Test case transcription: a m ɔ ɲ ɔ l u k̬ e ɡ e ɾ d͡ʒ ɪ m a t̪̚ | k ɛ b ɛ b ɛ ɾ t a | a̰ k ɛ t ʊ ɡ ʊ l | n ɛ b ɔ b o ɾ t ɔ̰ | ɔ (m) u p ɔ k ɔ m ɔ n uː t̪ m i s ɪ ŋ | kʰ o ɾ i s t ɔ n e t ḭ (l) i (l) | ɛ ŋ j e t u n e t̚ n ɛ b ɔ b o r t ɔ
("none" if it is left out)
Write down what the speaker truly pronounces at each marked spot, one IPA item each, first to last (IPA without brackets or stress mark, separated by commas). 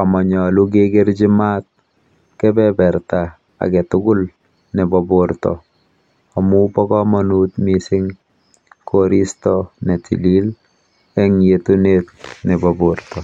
m, l, l